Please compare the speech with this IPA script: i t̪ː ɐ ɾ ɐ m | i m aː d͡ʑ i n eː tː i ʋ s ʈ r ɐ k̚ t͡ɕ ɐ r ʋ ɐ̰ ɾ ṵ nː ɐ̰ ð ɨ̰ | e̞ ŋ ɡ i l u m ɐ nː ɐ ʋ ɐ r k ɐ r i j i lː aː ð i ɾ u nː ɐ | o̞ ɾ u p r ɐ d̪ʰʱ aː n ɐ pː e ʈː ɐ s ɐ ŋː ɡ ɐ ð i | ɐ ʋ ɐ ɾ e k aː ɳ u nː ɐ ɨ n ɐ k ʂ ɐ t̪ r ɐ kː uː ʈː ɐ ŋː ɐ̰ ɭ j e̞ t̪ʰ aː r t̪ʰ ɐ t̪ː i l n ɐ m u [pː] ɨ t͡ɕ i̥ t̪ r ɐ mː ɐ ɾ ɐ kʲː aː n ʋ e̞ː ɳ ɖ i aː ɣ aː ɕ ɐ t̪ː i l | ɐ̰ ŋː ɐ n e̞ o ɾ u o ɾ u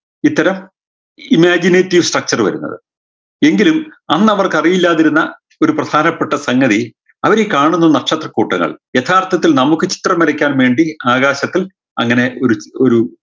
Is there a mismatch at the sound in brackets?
yes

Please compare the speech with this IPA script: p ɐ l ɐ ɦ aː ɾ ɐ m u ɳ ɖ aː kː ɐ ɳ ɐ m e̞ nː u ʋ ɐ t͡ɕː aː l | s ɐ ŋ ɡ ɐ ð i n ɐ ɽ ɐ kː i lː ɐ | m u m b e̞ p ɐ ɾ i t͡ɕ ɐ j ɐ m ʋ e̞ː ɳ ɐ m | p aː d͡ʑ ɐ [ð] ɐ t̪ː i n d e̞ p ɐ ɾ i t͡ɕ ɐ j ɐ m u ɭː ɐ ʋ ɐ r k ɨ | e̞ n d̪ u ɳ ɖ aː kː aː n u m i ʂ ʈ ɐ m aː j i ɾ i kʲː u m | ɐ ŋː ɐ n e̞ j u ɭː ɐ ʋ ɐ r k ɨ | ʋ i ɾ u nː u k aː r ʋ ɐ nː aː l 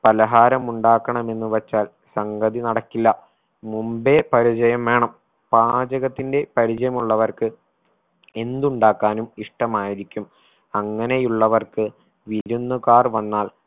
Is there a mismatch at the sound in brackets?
yes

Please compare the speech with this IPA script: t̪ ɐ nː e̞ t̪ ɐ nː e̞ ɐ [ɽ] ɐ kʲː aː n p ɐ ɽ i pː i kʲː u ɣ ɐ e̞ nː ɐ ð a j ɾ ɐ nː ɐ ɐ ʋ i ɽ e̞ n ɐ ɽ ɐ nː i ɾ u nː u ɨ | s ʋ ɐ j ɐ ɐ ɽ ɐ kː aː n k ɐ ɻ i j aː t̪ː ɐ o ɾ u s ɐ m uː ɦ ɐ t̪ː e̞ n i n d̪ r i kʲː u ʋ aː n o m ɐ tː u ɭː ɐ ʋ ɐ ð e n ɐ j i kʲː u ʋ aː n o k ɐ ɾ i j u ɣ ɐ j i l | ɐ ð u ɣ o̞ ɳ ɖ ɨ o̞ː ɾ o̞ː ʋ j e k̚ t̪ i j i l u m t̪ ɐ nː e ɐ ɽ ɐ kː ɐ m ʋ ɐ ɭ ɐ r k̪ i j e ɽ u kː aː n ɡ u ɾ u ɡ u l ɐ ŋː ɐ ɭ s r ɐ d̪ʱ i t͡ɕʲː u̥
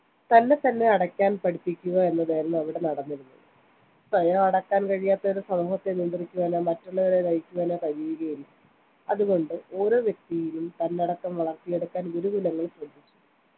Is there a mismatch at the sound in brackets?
no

